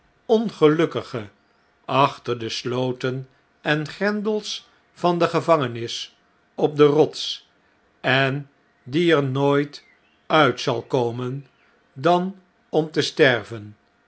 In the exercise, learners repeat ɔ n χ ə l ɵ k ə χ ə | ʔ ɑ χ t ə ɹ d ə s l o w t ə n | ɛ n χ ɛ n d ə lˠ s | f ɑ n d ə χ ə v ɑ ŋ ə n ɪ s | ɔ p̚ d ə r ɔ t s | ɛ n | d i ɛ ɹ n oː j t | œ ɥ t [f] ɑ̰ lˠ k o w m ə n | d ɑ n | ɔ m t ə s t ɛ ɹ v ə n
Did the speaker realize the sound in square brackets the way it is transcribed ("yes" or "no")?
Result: no